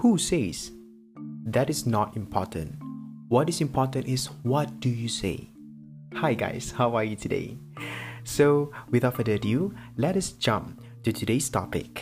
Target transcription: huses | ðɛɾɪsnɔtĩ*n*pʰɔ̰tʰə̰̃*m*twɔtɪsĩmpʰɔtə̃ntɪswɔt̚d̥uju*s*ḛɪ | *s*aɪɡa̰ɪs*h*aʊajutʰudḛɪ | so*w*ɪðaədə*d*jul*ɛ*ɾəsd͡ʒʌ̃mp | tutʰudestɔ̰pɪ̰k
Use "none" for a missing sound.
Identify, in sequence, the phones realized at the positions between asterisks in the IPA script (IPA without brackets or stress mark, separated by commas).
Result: m, n, s, h, h, w, d, ɛ